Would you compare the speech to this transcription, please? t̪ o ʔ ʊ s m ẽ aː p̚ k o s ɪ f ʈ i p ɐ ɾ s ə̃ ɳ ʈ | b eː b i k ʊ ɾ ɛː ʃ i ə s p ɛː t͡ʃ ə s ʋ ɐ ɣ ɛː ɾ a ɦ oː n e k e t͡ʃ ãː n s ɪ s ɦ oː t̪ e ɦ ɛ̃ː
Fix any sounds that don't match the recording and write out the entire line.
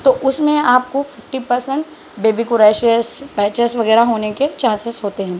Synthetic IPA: t̪ o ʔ ʊ s m ẽ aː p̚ k o f ɪ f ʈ i p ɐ ɾ s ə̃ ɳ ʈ | b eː b i k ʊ ɾ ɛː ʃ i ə s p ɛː t͡ʃ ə s ʋ ɐ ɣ ɛː ɾ a ɦ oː n e k e t͡ʃ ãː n s ɪ s ɦ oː t̪ e ɦ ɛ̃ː